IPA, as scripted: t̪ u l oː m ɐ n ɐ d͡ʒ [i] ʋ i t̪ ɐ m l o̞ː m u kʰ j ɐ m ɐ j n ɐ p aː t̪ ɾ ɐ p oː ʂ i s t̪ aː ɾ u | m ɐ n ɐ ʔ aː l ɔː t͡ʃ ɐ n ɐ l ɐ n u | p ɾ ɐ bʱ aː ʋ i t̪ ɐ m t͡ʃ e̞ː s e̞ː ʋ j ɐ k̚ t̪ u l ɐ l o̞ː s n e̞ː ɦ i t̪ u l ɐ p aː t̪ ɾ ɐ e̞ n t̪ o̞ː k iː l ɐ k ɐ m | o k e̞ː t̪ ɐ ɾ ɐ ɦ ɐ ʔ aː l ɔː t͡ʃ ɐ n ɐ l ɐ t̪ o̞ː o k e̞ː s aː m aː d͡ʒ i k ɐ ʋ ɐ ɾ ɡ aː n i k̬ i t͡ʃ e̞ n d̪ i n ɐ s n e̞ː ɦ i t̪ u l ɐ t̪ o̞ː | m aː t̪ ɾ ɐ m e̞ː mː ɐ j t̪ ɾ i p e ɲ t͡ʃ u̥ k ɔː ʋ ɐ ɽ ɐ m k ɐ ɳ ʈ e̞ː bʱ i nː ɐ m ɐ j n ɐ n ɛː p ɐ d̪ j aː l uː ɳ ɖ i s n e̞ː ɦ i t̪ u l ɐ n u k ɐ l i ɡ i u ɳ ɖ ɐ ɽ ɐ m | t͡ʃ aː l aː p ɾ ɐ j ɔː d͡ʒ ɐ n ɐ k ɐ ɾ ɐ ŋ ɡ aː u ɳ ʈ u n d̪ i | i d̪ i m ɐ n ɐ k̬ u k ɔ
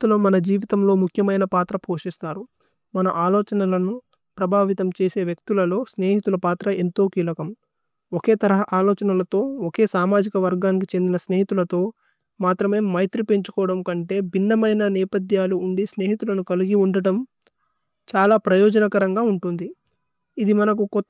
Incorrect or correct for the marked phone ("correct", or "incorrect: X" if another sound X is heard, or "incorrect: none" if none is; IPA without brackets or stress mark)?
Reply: incorrect: iː